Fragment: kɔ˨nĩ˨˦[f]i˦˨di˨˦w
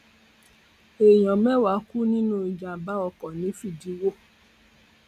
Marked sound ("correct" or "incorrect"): correct